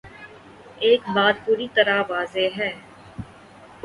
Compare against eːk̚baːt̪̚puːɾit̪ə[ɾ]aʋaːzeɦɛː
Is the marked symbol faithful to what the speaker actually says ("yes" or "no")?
yes